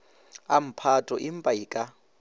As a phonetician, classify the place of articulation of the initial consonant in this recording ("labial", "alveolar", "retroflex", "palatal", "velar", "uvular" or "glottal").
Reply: labial